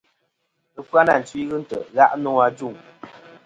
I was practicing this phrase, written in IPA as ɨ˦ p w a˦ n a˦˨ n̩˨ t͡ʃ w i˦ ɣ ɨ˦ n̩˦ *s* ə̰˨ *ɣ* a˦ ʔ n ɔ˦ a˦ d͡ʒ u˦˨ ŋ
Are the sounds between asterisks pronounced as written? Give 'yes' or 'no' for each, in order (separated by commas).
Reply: no, yes